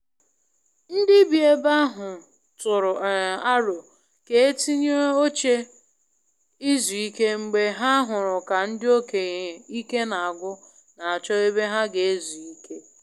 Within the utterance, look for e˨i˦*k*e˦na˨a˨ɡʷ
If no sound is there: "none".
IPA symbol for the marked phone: k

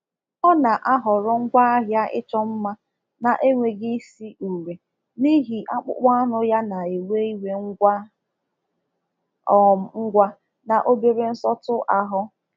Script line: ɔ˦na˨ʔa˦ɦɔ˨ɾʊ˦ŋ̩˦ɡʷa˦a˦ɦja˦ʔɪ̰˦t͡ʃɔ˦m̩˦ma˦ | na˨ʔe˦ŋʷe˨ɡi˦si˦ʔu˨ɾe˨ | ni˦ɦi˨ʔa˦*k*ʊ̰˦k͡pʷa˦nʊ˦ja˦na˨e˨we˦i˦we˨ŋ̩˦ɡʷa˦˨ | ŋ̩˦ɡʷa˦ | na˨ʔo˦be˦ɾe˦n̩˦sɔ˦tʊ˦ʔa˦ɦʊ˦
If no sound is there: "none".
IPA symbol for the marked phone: k͡p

